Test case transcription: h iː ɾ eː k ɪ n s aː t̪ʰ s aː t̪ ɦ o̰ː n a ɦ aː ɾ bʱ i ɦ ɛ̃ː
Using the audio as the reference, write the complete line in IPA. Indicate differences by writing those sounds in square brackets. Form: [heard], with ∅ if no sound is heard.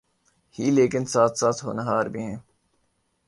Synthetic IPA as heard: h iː [l] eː k ɪ n s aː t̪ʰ s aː t̪ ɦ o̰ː n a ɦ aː ɾ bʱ i ɦ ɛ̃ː